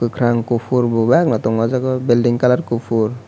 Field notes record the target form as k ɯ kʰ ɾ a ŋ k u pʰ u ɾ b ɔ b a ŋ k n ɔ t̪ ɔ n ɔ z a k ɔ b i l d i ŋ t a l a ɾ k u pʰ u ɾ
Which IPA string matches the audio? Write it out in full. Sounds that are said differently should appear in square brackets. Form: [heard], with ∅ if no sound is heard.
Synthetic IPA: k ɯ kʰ ɾ a ŋ k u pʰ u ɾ b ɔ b a [∅] k n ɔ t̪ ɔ [ŋ] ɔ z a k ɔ b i l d i ŋ [k] a l a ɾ k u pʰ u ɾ